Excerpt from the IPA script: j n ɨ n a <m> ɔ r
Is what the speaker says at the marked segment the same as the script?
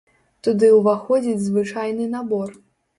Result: no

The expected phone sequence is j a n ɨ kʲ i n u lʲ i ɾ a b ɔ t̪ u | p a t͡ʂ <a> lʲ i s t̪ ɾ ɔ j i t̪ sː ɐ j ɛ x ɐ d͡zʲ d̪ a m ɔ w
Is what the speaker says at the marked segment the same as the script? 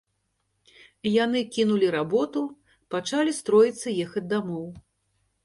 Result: yes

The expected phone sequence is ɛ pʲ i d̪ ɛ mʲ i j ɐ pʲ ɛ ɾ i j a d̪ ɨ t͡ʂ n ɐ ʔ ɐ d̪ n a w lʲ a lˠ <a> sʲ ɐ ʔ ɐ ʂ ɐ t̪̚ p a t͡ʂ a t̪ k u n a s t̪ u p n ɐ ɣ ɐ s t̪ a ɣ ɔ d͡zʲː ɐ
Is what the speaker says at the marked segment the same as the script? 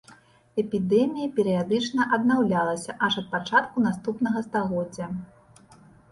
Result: no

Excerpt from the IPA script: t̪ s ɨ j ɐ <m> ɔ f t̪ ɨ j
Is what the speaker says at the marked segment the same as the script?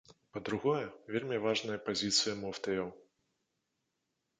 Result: yes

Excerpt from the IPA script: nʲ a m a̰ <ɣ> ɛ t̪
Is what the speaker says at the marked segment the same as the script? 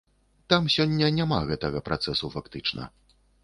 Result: yes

